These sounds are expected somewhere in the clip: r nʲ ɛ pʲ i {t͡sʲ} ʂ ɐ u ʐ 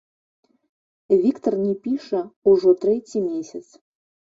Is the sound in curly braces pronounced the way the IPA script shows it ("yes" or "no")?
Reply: no